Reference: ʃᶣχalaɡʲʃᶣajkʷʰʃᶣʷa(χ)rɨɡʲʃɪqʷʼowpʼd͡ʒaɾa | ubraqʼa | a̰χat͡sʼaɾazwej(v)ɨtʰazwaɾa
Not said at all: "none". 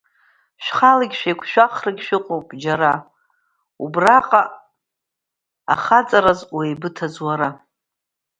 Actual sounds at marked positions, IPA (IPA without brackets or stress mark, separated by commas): χ, b